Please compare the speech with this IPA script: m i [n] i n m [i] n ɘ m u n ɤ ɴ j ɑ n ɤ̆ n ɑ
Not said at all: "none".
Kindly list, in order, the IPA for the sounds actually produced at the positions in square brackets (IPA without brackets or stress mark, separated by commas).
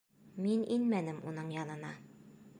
n, æ